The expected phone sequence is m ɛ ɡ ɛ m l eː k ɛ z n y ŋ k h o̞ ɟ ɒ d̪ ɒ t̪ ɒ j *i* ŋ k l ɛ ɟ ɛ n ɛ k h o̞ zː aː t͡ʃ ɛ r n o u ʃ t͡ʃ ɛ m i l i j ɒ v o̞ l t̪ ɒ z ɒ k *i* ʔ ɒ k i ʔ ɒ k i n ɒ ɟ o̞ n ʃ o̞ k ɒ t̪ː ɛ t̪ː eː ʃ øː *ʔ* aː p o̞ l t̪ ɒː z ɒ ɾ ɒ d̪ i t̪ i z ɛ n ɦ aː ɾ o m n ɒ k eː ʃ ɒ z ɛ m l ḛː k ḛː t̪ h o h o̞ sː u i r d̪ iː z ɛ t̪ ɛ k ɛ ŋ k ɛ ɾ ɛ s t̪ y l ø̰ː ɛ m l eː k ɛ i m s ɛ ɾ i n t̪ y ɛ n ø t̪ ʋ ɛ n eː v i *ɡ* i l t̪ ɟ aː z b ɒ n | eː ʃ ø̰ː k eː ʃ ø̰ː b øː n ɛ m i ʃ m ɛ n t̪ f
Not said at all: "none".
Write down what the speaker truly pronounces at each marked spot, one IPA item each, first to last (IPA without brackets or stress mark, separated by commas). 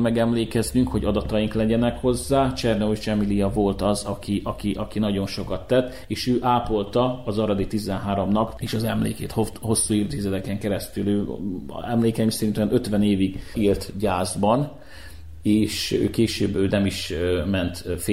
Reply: i, i, ʔ, ɡ